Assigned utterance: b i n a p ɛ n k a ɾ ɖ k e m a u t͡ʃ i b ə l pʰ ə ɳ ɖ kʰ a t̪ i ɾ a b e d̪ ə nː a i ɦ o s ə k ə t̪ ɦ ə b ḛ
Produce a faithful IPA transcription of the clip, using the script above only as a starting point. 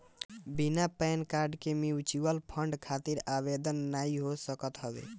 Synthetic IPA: b i n a p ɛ n k a ɾ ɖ k e m i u t͡ʃ i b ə l pʰ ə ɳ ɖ kʰ a t̪ i ɾ a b e d̪ ə nː a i ɦ o s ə k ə t̪ ɦ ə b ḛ